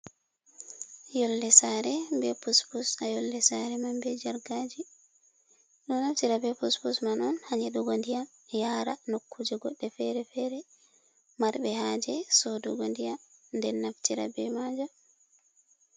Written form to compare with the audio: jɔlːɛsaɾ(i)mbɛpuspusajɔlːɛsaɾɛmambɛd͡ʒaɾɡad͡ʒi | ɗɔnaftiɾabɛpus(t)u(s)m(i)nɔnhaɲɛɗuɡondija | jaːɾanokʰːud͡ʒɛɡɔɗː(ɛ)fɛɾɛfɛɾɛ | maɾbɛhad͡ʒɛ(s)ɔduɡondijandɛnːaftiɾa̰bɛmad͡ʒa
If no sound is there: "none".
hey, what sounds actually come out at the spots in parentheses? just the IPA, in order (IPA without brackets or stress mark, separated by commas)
ɛ, p, s, a, ɛ, s